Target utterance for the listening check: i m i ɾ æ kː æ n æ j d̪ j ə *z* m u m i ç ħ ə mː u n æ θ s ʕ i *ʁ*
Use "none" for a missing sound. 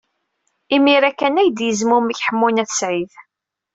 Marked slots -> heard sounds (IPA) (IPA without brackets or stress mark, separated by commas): z, ð